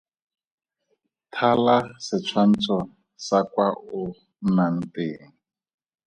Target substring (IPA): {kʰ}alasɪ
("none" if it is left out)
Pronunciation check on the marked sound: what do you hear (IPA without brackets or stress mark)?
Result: tʰ